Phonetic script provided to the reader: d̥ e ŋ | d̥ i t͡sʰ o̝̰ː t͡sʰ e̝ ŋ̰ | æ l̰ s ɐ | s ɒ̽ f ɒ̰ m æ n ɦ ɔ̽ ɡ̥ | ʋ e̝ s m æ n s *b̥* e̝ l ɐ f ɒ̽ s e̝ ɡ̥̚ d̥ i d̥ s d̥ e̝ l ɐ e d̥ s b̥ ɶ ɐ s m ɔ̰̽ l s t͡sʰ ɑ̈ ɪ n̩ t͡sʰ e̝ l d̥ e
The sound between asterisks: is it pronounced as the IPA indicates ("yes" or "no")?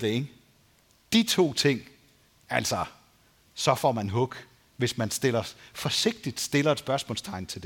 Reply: no